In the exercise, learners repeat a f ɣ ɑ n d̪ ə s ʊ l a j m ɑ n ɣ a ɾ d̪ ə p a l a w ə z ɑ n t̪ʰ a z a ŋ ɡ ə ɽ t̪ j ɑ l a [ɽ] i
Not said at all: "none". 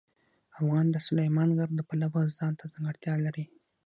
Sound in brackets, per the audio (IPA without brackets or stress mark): ɾ